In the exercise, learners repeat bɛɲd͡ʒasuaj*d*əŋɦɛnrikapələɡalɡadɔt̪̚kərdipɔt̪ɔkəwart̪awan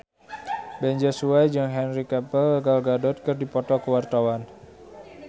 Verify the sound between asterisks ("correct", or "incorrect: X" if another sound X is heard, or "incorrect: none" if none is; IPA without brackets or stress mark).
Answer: incorrect: d͡ʒ